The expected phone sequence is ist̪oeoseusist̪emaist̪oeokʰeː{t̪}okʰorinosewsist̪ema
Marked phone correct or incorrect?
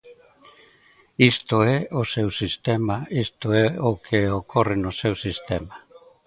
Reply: incorrect